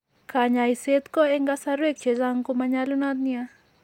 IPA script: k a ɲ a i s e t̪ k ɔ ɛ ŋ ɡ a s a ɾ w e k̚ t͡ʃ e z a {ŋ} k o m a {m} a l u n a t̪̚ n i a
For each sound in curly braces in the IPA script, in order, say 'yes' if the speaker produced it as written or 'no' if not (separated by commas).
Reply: yes, no